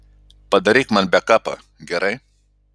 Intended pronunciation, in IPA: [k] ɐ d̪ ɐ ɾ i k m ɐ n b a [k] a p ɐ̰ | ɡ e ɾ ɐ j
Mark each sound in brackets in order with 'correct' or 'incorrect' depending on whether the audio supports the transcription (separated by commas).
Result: incorrect, correct